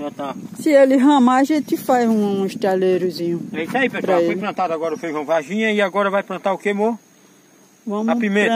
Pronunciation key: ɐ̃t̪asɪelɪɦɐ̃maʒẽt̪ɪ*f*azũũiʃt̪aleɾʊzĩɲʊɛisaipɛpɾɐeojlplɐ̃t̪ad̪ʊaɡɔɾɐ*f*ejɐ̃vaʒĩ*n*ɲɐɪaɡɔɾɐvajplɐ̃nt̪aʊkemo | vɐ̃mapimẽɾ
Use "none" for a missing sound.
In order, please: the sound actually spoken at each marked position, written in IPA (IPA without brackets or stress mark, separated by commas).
f, f, none